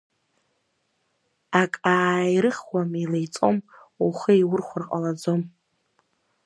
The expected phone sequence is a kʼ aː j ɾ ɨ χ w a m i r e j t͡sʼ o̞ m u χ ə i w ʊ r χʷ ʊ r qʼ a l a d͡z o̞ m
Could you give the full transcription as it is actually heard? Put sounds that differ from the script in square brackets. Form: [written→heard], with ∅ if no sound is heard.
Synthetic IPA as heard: a kʼ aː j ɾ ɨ χ w a m i [r→l] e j t͡sʼ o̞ m u χ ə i w ʊ r χʷ ʊ r qʼ a l a d͡z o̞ m